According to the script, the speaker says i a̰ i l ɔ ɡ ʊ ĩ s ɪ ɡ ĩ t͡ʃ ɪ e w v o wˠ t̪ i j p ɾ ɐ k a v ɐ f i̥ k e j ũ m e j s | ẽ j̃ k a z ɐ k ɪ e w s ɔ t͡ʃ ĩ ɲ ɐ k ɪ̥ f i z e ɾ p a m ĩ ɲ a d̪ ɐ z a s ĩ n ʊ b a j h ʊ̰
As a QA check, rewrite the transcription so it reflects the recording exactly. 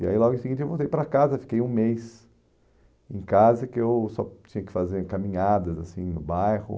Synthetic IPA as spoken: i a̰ i l ɔ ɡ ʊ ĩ s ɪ ɡ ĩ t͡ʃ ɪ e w v o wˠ t̪ e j p ɾ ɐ k a z ɐ f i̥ k e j ũ m e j s | ẽ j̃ k a z ɐ k ɪ e w s ɔ t͡ʃ ĩ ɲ ɐ k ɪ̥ f a z e ɾ k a m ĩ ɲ a d̪ ɐ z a s ĩ n ʊ b a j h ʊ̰